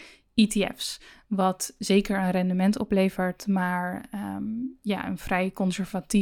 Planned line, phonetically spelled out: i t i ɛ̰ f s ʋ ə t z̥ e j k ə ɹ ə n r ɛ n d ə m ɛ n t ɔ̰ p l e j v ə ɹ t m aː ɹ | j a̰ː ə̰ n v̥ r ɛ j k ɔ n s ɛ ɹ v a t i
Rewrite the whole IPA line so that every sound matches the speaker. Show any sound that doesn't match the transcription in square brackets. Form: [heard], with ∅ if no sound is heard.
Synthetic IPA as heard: i t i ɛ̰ f s ʋ [ɑ] t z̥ e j k ə ɹ ə n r ɛ n d ə m ɛ n t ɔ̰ p l e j v ə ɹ t m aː ɹ | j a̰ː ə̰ n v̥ r ɛ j k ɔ n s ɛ ɹ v a t i